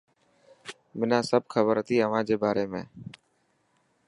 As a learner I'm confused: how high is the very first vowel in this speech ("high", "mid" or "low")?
high